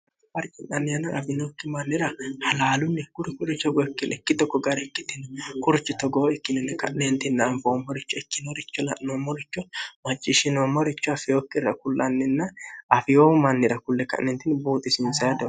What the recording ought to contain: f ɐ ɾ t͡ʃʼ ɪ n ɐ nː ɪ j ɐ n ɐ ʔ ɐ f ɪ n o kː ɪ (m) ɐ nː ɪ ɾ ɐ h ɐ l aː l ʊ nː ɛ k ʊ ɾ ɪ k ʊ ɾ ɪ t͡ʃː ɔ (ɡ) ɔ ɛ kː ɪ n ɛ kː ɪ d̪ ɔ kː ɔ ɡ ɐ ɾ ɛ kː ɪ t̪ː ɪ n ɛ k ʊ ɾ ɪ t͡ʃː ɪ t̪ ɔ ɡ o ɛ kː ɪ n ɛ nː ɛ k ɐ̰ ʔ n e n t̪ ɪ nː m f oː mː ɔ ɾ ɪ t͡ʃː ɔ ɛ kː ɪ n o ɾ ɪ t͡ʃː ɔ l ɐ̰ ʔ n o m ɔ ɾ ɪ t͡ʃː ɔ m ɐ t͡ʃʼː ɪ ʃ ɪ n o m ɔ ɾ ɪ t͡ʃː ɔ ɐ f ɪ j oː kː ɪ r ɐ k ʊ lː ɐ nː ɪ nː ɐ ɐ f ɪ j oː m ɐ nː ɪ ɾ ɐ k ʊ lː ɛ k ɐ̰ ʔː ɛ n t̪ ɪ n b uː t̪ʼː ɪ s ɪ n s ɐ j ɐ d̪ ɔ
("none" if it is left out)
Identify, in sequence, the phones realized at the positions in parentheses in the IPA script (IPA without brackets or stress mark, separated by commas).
m, ɡ